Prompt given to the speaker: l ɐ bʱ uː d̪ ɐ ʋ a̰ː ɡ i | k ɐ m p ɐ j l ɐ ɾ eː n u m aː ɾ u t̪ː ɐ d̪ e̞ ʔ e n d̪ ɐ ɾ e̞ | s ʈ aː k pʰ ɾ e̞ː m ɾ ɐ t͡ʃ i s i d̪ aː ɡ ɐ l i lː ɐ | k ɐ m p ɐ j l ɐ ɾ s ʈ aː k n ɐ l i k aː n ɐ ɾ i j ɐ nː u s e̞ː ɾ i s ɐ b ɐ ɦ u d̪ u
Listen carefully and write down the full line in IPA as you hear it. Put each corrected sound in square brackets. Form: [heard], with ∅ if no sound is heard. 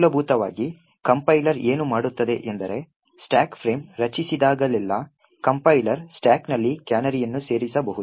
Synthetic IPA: l ɐ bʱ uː [t̪] ɐ ʋ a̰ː ɡ i | k ɐ m p ɐ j l ɐ ɾ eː n u m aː [ɽ] u t̪ː ɐ d̪ e̞ ʔ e n d̪ ɐ ɾ e̞ | s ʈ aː k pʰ ɾ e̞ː m ɾ ɐ t͡ʃ i s i d̪ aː ɡ ɐ l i lː ɐ | k ɐ m p ɐ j l ɐ ɾ s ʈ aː k n ɐ [lː] i k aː n ɐ ɾ i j ɐ nː u s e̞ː ɾ i s ɐ b ɐ ɦ u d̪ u